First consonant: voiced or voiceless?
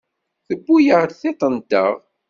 voiceless